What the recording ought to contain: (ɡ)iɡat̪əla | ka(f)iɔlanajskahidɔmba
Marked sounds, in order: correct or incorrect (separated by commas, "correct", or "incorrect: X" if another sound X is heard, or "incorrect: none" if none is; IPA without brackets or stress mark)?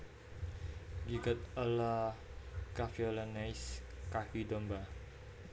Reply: correct, correct